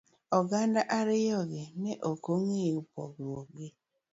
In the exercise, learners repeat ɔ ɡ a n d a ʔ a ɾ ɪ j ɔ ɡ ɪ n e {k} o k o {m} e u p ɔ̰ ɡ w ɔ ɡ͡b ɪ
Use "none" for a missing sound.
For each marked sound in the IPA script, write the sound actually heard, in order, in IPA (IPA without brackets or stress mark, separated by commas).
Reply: ʔ, ŋ